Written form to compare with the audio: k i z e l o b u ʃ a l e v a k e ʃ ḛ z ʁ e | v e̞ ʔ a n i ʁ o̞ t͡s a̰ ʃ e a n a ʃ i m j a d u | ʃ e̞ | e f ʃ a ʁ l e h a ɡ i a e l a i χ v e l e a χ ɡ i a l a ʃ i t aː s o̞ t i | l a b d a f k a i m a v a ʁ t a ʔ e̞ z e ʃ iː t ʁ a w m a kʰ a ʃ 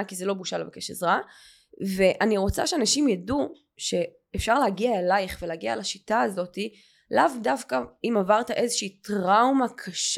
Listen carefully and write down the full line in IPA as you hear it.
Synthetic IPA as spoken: k i z e l o b u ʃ a l e v a k e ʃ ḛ z ʁ a | v e̞ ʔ a n i ʁ o̞ t͡s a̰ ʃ e a n a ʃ i m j a d u | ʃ e̞ | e f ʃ a ʁ l e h a ɡ i a e l a j χ v e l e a ɡ i a l a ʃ i t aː z o̞ t i | l a v d a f k a i m a v a ʁ t a ʔ e̞ z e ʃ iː t ʁ a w m a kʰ a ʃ